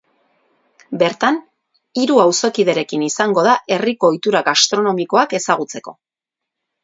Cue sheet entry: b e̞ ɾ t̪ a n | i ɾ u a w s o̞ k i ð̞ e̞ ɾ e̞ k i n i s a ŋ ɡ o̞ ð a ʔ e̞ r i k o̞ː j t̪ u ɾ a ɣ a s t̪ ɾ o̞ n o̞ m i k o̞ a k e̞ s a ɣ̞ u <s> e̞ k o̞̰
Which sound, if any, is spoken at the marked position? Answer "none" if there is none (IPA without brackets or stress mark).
t͡s